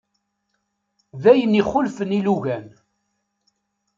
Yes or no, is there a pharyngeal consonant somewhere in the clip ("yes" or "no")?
no